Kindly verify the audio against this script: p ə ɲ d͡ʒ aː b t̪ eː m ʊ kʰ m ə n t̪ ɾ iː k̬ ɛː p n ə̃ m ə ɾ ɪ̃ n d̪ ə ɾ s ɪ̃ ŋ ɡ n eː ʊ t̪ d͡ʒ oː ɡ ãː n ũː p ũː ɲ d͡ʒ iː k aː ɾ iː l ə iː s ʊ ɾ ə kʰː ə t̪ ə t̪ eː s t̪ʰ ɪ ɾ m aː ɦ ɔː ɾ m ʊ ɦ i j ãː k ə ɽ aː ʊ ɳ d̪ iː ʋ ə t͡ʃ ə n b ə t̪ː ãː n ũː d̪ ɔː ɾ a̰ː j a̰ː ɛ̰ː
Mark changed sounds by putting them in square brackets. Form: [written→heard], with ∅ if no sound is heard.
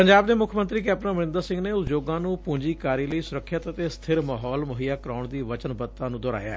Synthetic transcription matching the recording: p ə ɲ d͡ʒ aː b [t̪→d̪] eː m ʊ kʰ m ə n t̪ ɾ iː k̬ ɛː p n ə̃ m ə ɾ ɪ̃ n d̪ ə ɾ s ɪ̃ ŋ ɡ n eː ʊ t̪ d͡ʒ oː ɡ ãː n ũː p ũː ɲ d͡ʒ iː k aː ɾ iː l ə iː s ʊ ɾ ə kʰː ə t̪ ə t̪ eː s t̪ʰ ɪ ɾ m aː ɦ ɔː [ɾ→l] m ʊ ɦ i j [ãː→aː] k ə [ɽ→ɾ] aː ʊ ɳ d̪ iː ʋ ə t͡ʃ ə n b ə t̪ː ãː n ũː d̪ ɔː ɾ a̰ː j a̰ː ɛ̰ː